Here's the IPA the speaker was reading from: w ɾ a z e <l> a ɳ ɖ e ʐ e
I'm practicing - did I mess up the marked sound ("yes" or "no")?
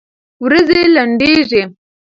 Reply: no